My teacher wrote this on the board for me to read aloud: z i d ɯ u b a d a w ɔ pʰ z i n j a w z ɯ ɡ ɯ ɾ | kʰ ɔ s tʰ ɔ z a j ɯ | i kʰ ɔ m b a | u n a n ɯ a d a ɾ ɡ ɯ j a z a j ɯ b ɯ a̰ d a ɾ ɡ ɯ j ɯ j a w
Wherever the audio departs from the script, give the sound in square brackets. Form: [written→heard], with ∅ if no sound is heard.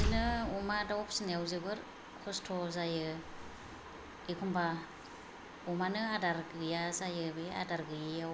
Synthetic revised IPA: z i [d→n] ɯ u [b→m] a d a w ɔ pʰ [z→s] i n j a w z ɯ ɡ ɯ ɾ | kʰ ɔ s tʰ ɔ z a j ɯ | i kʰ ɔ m b a | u [n→m] a n ɯ a d a ɾ ɡ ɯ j a z a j ɯ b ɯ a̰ d a ɾ ɡ ɯ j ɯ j a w